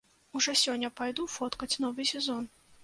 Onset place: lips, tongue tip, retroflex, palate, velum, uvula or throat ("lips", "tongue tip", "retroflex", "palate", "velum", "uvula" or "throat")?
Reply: retroflex